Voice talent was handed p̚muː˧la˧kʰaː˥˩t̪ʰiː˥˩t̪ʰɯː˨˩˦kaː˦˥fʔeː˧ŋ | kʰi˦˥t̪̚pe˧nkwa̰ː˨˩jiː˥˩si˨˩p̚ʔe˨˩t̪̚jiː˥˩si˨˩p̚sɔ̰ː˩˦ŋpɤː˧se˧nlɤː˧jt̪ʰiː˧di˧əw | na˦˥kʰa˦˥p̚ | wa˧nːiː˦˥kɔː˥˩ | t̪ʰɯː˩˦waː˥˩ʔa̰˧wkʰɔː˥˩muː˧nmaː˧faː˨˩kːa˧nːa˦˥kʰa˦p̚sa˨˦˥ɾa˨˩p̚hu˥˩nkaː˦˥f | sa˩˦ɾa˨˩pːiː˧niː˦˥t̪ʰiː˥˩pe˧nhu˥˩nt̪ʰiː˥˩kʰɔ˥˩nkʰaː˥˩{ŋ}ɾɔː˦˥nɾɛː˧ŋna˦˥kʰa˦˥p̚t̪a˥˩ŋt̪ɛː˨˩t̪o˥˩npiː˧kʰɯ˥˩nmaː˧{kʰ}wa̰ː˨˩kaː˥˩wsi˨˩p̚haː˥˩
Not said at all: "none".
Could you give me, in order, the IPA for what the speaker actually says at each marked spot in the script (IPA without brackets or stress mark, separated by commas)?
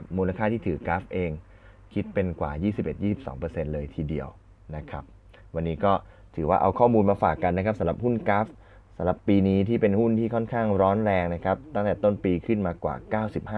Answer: ŋ, k